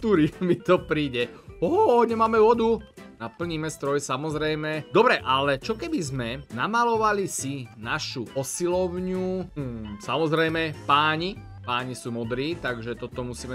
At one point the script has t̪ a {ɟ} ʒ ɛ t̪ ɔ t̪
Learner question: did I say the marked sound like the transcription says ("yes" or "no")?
no